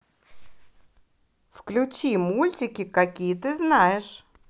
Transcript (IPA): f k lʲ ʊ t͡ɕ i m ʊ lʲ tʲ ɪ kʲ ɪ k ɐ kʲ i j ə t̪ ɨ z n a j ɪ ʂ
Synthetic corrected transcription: f k lʲ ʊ t͡ɕ i m u lʲ tʲ ɪ kʲ ɪ k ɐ kʲ i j ə t̪ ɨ z n a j ɪ ʂ